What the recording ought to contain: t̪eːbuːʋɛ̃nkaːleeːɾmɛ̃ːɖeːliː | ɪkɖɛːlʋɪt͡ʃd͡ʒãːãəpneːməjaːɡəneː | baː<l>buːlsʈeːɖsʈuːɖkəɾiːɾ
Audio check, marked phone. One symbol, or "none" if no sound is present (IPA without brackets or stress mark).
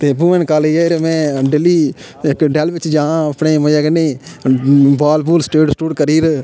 l